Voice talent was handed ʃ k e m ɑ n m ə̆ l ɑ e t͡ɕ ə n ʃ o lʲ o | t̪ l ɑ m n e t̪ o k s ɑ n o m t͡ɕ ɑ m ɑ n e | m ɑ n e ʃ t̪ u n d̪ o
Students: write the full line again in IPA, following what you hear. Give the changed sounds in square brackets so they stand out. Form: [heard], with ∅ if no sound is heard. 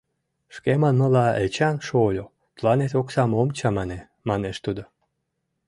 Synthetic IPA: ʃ k e m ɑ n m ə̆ l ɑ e t͡ɕ [ɑ] n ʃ o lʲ o | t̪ l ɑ [∅] n e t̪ o k s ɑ [m] o m t͡ɕ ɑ m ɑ n e | m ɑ n e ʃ t̪ u [∅] d̪ o